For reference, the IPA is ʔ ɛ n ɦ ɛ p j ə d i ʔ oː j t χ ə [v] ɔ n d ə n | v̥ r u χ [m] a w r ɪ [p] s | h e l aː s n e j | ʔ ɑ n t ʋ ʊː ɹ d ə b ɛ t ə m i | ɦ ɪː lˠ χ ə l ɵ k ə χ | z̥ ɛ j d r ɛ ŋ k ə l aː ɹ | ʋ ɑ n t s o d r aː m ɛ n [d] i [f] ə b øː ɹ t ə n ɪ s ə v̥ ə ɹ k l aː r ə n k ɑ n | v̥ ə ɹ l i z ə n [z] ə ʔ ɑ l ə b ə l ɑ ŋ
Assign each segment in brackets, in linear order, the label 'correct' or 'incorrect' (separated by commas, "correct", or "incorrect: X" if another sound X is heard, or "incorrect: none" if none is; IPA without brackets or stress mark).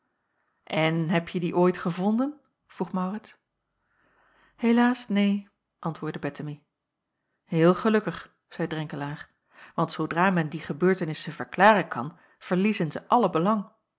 correct, correct, incorrect: t, correct, incorrect: χ, correct